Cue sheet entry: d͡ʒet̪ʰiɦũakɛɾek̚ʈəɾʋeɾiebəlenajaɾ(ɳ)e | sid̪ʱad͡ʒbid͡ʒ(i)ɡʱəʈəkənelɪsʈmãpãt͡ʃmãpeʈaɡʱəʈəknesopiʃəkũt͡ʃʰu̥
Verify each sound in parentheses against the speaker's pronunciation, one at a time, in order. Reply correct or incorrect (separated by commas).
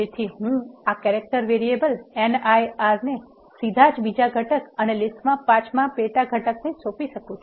incorrect, incorrect